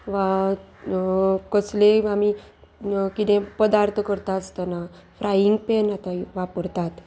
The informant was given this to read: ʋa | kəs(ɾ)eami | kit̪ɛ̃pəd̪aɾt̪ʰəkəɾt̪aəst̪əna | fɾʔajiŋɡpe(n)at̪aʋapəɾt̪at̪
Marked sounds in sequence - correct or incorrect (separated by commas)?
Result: incorrect, correct